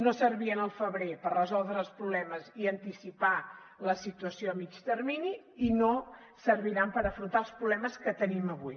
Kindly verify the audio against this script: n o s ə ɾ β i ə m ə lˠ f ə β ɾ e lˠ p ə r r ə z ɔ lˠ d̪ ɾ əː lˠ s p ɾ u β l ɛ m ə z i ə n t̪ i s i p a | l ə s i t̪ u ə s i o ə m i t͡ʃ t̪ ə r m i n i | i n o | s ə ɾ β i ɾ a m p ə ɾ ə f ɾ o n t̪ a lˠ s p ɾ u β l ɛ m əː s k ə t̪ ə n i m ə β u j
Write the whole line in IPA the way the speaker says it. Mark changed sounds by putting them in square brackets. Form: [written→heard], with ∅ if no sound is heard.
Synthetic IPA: n o s ə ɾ β i ə [m→n] ə lˠ f ə β ɾ e [lˠ→∅] p ə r r ə z ɔ lˠ d̪ ɾ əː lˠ s p ɾ u β l ɛ m ə z i ə n t̪ i s i p a | l ə s i t̪ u ə s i o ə m i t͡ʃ t̪ ə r m i n i | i n o | s ə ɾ β i ɾ a m p ə ɾ ə f ɾ [o→u] n t̪ a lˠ s p ɾ u β l ɛ m [əː→ə] s k ə t̪ ə n i m ə β u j